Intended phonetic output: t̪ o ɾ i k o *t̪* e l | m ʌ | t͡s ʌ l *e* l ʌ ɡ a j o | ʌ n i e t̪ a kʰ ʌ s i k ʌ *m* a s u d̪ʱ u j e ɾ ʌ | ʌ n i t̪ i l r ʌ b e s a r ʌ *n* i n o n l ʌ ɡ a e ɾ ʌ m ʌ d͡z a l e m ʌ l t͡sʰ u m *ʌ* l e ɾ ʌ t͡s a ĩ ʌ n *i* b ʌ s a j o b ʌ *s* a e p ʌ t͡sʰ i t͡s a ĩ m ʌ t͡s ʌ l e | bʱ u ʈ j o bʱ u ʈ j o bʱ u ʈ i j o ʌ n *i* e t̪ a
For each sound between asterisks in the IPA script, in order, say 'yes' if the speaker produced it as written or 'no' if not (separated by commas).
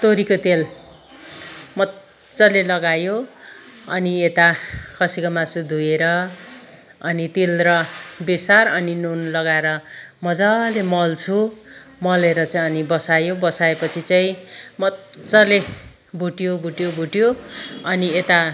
yes, yes, yes, yes, yes, yes, yes, yes